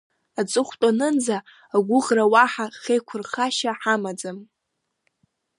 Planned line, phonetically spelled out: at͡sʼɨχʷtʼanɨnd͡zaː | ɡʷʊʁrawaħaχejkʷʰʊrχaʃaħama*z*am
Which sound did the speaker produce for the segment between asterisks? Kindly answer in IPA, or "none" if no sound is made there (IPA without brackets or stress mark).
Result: d͡z